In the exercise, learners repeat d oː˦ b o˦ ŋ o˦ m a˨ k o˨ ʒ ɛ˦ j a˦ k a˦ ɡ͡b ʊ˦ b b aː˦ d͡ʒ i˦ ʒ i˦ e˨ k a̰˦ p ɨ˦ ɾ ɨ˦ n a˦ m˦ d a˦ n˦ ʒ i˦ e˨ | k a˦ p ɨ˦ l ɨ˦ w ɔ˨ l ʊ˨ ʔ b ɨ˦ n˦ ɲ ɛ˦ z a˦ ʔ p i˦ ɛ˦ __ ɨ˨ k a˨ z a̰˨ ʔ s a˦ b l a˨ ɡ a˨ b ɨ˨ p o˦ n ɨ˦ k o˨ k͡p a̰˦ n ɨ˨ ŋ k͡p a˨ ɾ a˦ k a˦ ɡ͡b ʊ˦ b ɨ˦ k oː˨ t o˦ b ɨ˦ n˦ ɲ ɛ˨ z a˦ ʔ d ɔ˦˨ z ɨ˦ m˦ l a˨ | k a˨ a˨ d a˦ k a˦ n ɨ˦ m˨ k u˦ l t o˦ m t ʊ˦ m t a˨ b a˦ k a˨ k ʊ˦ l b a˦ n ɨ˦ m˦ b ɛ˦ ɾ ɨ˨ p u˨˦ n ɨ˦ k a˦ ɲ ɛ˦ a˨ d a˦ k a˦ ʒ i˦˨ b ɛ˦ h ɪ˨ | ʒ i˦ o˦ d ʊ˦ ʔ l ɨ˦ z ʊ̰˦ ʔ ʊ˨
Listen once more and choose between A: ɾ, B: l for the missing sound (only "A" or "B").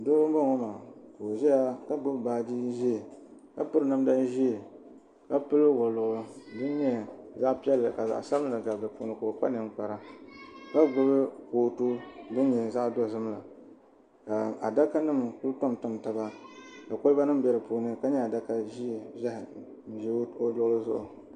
B